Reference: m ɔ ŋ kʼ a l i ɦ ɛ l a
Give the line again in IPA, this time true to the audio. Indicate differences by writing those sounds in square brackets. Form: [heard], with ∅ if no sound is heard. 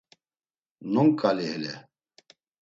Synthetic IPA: [n] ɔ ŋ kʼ a l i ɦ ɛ l [ɛ]